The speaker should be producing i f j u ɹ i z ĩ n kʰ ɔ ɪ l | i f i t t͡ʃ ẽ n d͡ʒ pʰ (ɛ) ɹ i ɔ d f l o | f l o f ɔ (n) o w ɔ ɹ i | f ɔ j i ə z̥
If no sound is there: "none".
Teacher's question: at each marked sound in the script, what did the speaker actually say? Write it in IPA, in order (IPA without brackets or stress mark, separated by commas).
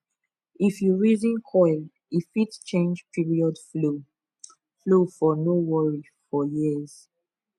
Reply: i, n